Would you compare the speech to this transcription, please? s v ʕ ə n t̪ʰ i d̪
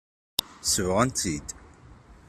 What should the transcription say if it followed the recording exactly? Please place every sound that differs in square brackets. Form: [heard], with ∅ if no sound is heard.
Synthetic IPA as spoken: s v [ʁ] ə n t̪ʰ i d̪